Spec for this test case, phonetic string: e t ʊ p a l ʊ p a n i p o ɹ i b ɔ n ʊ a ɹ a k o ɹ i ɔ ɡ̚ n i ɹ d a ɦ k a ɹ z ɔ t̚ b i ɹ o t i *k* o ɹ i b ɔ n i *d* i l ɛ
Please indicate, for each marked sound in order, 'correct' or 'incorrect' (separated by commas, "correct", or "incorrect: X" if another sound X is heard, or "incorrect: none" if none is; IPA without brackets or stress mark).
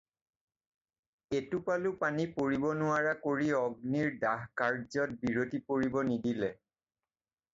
incorrect: p, correct